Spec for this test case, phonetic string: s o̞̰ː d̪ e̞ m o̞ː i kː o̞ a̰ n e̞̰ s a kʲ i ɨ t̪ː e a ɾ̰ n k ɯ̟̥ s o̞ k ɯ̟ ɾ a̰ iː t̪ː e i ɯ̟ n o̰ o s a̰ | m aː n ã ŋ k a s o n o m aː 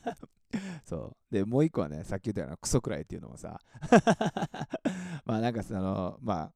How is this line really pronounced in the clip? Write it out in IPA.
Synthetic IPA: s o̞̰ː d̪ e̞ m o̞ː i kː o̞ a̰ n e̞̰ s a kʲ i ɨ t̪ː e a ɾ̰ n k ɯ̟̥ s o̞ k ɯ̟ ɾ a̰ i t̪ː e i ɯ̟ n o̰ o s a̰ | m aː n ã ŋ k a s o n o m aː